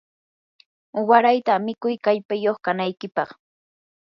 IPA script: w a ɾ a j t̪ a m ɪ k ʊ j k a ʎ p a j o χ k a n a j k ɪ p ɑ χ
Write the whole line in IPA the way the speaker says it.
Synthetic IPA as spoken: w a ɾ a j t̪ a m ɪ k ʊ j k a ʎ p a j o χ k a n a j k ɪ p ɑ χ